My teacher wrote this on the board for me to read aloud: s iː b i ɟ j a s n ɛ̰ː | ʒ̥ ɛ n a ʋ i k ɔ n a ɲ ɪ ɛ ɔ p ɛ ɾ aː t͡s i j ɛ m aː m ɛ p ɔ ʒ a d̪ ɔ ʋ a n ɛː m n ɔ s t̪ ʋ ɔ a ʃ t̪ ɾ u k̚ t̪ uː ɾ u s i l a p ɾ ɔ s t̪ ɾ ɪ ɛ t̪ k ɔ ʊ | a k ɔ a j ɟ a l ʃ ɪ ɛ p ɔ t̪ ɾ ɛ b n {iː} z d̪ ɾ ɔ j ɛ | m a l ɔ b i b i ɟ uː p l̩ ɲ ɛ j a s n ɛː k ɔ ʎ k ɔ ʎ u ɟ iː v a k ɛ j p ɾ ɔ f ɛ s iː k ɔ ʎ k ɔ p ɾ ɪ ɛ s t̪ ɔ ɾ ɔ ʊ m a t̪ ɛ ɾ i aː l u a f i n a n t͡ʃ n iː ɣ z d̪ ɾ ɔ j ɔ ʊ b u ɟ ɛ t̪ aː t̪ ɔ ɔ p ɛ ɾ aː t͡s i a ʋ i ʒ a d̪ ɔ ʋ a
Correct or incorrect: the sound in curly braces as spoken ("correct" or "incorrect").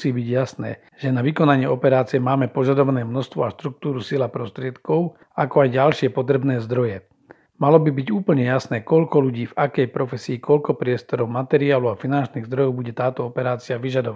incorrect